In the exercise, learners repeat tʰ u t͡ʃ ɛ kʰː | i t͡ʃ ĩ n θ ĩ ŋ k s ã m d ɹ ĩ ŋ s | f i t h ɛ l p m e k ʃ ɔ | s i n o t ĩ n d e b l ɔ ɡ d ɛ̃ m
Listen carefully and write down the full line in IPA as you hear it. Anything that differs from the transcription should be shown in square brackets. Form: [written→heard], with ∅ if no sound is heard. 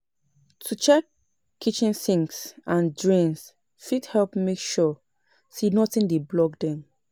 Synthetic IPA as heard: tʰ u t͡ʃ ɛ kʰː | i t͡ʃ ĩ n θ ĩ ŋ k s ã [m→n] d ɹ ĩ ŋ s | f i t h ɛ l p m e k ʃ ɔ | s i n [o→ɔ] t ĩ n d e b l ɔ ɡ d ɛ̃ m